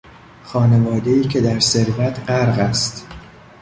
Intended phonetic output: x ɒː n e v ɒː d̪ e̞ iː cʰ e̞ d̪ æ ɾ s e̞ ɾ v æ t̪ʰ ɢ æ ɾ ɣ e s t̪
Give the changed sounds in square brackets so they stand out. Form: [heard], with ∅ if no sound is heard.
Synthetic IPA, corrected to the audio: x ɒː n e v ɒː d̪ e̞ iː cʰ e̞ d̪ æ ɾ s e̞ ɾ v æ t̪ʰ ɢ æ ɾ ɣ [æ] s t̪